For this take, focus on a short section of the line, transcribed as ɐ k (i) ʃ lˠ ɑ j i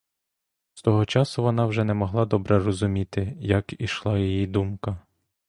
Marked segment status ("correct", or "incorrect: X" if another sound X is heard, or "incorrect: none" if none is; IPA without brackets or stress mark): correct